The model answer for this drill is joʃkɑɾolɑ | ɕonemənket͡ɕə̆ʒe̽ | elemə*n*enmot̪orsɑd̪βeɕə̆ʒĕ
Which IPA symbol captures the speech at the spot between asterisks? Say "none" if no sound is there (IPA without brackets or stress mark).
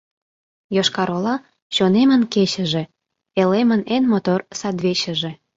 n